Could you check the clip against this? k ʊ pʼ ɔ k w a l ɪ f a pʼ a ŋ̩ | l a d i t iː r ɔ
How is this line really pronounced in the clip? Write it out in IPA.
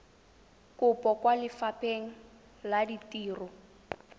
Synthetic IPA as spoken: k ʊ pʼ ɔ k w a l ɪ f a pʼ e ŋ̩ | l a d i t iː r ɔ